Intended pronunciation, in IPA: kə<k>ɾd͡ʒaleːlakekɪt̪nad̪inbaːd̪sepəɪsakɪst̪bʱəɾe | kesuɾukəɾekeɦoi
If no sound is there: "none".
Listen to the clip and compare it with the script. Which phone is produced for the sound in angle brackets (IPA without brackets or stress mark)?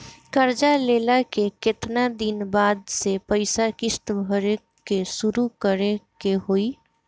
none